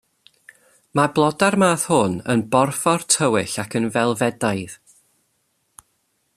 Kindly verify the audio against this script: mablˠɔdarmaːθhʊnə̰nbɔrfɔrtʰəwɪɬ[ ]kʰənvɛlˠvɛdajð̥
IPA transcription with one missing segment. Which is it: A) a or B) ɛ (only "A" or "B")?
A